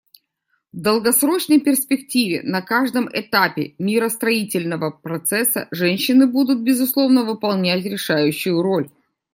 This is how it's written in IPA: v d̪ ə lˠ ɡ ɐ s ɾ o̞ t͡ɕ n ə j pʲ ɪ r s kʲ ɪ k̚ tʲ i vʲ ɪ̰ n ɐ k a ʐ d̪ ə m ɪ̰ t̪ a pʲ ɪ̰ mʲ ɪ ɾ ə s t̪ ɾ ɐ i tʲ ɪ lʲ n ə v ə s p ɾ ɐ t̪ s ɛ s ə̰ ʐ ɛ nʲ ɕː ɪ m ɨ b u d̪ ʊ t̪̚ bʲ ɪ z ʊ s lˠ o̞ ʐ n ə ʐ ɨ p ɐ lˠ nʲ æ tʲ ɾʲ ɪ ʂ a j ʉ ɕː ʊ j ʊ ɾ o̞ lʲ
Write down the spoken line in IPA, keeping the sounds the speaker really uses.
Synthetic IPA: v d̪ ə lˠ ɡ ɐ s ɾ o̞ t͡ɕ n ə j pʲ ɪ r s pʲ ɪ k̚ tʲ i vʲ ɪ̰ n ɐ k a ʐ d̪ ə m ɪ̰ t̪ a pʲ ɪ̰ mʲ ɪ ɾ ə s t̪ ɾ ɐ i tʲ ɪ lʲ n ə v ə p ɾ ɐ t̪ s ɛ s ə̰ ʐ ɛ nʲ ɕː ɪ n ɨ b u d̪ ʊ t̪̚ bʲ ɪ z ʊ s lˠ o̞ v n ə v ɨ p ɐ lˠ nʲ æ tʲ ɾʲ ɪ ʂ a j ʉ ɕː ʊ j ʊ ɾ o̞ lʲ